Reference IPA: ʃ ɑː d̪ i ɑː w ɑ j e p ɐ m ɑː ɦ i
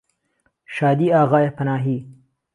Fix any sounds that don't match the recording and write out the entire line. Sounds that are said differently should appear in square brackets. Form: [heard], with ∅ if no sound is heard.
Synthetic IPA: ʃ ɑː d̪ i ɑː [ɣ] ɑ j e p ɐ [n] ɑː ɦ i